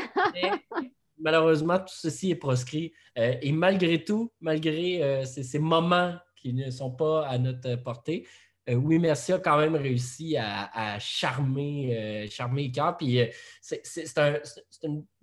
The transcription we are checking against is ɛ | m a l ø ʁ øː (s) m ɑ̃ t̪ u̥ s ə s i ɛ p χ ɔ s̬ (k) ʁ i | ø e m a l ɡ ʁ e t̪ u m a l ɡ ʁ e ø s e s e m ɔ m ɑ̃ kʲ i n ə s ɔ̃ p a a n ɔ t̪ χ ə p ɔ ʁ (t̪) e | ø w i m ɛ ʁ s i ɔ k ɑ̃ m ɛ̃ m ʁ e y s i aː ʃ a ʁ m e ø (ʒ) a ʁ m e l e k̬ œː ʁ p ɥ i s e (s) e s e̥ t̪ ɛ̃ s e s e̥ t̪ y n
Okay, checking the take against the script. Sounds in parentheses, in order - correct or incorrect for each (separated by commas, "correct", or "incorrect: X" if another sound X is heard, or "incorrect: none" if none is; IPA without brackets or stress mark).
incorrect: z, correct, correct, incorrect: ʃ, correct